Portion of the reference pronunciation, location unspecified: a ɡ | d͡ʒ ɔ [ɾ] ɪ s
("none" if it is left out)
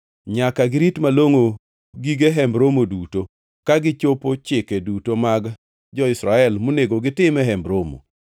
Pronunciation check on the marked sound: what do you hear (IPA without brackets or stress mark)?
none